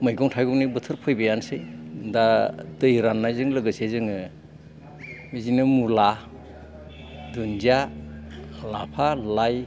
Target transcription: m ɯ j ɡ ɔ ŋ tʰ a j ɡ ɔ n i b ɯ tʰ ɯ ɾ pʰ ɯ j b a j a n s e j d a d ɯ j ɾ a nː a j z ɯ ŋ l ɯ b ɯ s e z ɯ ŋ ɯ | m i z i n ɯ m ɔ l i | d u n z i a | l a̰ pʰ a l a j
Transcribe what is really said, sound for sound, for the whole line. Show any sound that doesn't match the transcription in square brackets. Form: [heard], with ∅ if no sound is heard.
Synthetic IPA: m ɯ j ɡ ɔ ŋ tʰ a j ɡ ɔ n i b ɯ tʰ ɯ ɾ pʰ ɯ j b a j a n s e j d a d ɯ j ɾ a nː a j z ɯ ŋ l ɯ [ɡ] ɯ s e z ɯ ŋ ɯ | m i z i n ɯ m [u] l [a] | d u n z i a | l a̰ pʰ a l a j